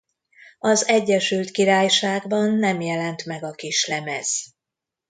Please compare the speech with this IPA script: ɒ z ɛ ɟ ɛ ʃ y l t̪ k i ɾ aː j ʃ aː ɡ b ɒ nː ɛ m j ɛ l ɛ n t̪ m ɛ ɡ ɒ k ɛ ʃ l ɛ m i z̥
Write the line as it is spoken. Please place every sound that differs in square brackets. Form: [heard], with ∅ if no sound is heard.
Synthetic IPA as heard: ɒ z ɛ [ɟː] ɛ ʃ y l t̪ k i ɾ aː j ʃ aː ɡ b ɒ nː ɛ m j ɛ l ɛ n t̪ m ɛ ɡ ɒ k [i] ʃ l ɛ m [ɛ] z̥